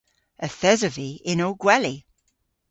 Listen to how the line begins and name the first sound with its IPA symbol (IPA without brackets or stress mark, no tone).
ə